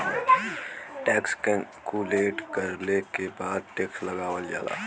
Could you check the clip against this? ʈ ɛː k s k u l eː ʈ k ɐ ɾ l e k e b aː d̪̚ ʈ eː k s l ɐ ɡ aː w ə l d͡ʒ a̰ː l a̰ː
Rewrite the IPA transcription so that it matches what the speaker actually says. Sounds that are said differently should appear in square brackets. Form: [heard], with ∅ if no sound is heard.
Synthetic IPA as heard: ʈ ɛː k s k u l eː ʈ k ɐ ɾ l e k e b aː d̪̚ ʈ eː k s l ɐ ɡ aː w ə l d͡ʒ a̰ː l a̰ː